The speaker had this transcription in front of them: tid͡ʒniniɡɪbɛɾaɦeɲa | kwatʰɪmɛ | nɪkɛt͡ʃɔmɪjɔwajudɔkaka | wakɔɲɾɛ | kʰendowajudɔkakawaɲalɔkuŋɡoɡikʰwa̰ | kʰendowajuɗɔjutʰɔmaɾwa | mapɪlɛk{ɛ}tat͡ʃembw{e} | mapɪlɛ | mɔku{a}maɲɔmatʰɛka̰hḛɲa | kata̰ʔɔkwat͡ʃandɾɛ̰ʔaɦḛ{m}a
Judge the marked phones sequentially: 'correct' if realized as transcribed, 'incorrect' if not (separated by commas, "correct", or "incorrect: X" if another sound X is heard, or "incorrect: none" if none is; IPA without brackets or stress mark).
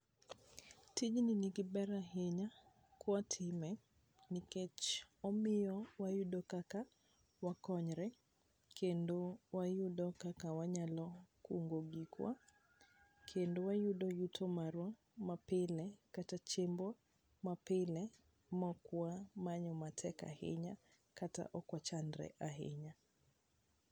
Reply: incorrect: a, incorrect: a, correct, incorrect: ɲ